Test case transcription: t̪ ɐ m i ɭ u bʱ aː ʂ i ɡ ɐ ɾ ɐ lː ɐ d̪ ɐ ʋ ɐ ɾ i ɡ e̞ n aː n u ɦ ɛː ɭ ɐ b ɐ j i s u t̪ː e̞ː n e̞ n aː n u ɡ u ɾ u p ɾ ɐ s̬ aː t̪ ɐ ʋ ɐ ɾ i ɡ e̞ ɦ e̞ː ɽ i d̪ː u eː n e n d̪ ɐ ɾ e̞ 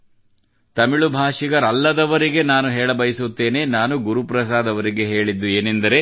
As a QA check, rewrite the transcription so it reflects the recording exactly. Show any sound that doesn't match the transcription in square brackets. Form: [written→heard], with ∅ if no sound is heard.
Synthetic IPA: t̪ ɐ m i ɭ u bʱ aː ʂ i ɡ ɐ ɾ ɐ lː ɐ d̪ ɐ ʋ ɐ ɾ i ɡ e̞ n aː n u ɦ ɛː ɭ ɐ b ɐ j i s u t̪ː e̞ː n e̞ n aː n u ɡ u ɾ u p ɾ ɐ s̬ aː [t̪→d̪] ɐ ʋ ɐ ɾ i ɡ e̞ ɦ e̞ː [ɽ→ɭ] i d̪ː u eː n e n d̪ ɐ ɾ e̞